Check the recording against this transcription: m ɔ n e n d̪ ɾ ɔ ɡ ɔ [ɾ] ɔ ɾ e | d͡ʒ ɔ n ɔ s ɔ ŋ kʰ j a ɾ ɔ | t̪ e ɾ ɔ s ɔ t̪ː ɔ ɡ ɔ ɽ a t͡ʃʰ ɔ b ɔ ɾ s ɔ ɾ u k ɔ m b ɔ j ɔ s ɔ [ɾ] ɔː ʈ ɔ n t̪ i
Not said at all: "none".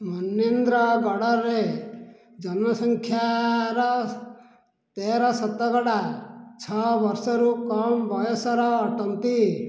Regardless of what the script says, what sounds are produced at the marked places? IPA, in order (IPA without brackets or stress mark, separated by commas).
ɽ, ɾ